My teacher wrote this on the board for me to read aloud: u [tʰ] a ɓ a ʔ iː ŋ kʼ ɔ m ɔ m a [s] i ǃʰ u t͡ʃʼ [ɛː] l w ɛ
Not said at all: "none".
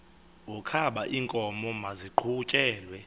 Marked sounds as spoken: kʰ, z, ɛː

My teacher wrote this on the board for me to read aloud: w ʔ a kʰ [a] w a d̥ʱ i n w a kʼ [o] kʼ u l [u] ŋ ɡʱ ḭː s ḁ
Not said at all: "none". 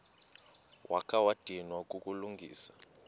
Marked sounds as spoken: a, u, u

